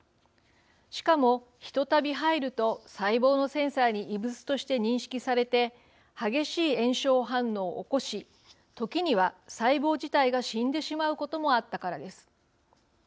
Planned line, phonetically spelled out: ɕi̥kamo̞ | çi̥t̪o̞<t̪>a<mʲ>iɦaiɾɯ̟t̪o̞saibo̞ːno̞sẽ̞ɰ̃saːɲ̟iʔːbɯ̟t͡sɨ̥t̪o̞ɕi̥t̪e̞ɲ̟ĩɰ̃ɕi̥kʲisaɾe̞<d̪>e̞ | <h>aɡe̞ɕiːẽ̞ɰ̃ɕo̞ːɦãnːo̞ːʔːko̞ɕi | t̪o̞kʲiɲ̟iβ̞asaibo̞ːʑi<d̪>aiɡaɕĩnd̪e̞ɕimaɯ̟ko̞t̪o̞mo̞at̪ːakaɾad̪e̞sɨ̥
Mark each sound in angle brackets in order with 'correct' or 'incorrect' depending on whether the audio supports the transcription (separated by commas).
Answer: correct, incorrect, incorrect, correct, incorrect